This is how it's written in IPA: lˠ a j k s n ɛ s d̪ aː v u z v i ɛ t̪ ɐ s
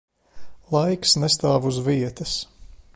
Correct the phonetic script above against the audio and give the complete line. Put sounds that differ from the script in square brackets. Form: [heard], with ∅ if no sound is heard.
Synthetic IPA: lˠ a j k s n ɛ s [t̪] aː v u z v i ɛ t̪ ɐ s